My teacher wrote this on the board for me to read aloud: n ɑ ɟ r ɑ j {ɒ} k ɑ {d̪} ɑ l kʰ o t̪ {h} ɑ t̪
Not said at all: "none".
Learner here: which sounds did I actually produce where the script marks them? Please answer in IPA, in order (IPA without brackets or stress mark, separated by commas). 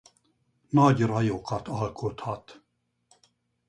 o, t̪, h